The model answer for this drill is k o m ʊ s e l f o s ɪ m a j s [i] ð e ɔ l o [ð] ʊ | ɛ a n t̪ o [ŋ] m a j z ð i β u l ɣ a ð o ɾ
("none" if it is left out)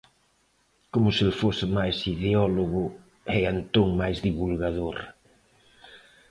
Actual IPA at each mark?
i, ɣ, ŋ

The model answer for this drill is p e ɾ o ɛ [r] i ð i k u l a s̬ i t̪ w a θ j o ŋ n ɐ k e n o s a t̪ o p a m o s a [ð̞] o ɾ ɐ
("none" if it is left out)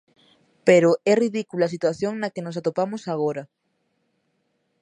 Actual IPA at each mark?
r, ɣ̞

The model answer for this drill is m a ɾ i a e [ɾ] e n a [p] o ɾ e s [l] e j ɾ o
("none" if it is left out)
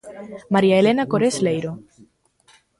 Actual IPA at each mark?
l, k, l

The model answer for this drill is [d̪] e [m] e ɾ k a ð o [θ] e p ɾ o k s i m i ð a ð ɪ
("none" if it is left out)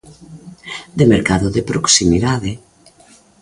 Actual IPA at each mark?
d̪, m, ð

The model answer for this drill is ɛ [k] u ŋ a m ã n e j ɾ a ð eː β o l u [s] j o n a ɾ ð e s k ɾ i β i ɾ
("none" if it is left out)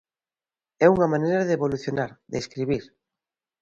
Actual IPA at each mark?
none, θ

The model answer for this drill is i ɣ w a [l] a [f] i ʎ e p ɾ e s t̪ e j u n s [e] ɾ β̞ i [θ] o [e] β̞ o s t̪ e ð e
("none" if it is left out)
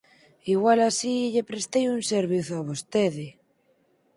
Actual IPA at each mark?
l, s, e, θ, a

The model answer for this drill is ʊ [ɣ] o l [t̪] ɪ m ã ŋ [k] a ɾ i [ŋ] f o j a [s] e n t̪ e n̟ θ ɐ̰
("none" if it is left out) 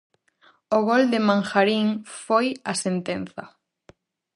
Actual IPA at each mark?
ɣ, d̪, x, ŋ, s

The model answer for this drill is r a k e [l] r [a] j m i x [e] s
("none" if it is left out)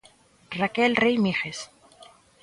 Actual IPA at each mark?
l, e, e

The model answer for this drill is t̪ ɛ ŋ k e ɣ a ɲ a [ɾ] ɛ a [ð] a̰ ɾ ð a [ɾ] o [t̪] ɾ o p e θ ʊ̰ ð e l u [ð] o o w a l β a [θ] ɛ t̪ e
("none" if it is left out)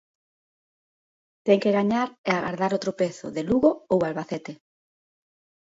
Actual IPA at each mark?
ɾ, ɣ, ɾ, t̪, ɣ, θ

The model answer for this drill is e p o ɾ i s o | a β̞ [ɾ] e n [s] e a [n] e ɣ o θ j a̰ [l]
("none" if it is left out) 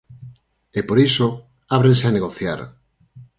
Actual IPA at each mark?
ɾ, s, n, ɾ

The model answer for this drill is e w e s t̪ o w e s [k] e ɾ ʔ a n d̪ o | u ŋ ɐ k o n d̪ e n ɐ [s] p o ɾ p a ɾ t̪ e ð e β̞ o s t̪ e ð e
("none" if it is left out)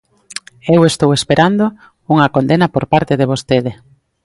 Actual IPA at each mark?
p, none

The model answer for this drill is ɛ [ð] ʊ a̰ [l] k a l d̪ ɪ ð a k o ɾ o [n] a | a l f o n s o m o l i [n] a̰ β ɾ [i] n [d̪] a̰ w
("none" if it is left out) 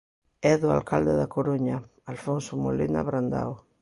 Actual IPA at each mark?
ð, l, ɲ, n, a, d̪

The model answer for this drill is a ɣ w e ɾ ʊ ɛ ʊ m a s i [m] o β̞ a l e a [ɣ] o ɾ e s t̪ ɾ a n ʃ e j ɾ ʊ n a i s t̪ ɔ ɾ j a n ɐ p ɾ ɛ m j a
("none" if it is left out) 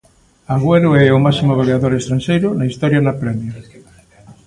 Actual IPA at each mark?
m, ð

